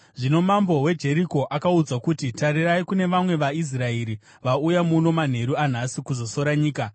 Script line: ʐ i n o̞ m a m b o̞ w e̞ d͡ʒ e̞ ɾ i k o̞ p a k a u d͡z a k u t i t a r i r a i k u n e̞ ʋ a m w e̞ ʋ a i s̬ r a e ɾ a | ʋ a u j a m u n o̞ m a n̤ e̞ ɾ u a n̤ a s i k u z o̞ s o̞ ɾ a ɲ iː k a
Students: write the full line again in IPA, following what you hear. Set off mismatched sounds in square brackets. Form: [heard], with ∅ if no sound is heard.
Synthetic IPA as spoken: ʐ i n o̞ m a m b o̞ w e̞ d͡ʒ e̞ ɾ i k o̞ [ʔ] a k a u d͡z a k u t i t a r i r a i k u n e̞ ʋ a m w e̞ ʋ a i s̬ r a e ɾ [i] | ʋ a u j a m u n o̞ m a n̤ e̞ ɾ u a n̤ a s i k u z o̞ s o̞ ɾ a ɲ iː k a

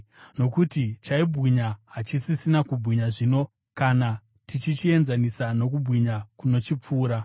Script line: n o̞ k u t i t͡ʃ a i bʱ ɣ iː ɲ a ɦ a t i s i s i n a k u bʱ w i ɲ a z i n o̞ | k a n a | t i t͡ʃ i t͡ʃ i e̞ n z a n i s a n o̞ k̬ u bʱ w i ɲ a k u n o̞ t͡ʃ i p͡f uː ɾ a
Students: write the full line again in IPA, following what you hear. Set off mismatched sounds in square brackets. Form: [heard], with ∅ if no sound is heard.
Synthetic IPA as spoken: n o̞ k u t i t͡ʃ a i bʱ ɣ [i] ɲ a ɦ a [t͡ʃ] i s i s i n a k u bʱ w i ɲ a [ʐ] i n o̞ | k a n a | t i t͡ʃ i t͡ʃ i e̞ n z a n i s a n o̞ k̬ u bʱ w i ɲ a k u n o̞ t͡ʃ i p͡f uː ɾ a

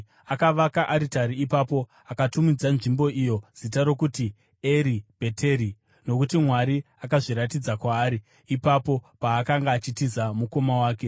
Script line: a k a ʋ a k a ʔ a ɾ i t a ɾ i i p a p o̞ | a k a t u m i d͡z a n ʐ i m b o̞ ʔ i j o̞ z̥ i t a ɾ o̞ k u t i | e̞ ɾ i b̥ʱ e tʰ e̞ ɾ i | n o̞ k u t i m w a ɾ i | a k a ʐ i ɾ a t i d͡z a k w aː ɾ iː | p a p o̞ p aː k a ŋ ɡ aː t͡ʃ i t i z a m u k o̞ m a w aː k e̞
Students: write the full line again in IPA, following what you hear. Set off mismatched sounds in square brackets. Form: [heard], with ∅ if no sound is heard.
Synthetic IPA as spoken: a k a ʋ a k a ʔ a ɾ i t a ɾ i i p a p o̞ | a k a t u m i d͡z a n ʐ i m b o̞ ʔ i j o̞ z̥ i t a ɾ o̞ k u t i | e̞ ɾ i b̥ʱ e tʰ e̞ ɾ i | n o̞ k u t i m w a ɾ i | a k a ʐ i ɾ a t i d͡z a k w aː ɾ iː | p a p o̞ p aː k a ŋ ɡ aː t͡ʃ i t i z a m u k o̞ m a w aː k e̞

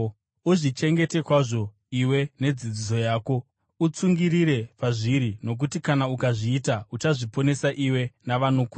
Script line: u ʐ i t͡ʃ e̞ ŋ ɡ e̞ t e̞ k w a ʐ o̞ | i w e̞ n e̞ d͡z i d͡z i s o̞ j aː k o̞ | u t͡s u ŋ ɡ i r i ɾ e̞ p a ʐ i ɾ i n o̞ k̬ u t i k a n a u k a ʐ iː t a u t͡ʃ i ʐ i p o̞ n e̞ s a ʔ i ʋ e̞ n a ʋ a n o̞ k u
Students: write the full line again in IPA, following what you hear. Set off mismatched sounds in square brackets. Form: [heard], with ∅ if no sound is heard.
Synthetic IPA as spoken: u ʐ i t͡ʃ e̞ ŋ ɡ e̞ t e̞ k w a ʐ o̞ | i w e̞ n e̞ d͡z i d͡z i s o̞ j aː k o̞ | u t͡s u ŋ ɡ i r i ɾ e̞ p a ʐ i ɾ i n o̞ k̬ u t i k a n a u k a ʐ iː t a u t͡ʃ [a] ʐ i p o̞ n e̞ s a ʔ i [w] e̞ n a ʋ a n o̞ k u

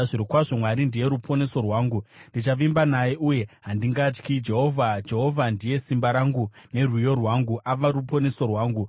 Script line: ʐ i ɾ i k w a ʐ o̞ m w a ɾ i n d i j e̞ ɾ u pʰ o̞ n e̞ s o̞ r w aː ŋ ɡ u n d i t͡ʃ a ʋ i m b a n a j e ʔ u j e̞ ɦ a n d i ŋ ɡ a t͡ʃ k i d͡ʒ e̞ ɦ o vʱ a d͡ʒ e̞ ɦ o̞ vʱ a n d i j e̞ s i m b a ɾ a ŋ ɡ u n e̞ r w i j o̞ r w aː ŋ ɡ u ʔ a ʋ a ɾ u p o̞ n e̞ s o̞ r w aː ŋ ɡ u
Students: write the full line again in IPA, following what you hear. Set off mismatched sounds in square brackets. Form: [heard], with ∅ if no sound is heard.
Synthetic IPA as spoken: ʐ i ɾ i k w a ʐ o̞ m w a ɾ i n d i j e̞ ɾ u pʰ o̞ n e̞ s o̞ r w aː ŋ ɡ u n d i t͡ʃ a ʋ i m b a n a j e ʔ u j e̞ ɦ a n d i ŋ ɡ a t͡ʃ k i d͡ʒ e̞ ɦ o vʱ a d͡ʒ e̞ ɦ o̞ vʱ a n d i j e̞ s i m b a ɾ a ŋ ɡ u n e̞ r w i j o̞ r w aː ŋ ɡ u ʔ a ʋ a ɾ u p o̞ n e̞ s o̞ r w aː ŋ ɡ u

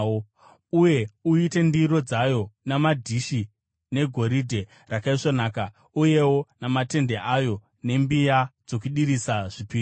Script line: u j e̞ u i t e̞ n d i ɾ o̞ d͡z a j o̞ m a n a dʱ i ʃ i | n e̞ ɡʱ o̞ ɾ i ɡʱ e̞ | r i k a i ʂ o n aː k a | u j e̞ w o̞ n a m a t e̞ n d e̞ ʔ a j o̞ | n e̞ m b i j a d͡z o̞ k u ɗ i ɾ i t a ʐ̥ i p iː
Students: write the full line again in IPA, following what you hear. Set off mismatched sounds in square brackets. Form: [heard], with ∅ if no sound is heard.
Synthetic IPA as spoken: u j e̞ u i t e̞ n d i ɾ o̞ d͡z a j o̞ [n] a [m] a dʱ i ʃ i | n e̞ ɡʱ o̞ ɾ i [dʱ] e̞ | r [a] k a i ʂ o n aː k a | u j e̞ w o̞ n a m a t e̞ n d e̞ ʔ a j o̞ | n e̞ m b i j a d͡z o̞ k u ɗ i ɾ i [s] a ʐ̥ i p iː

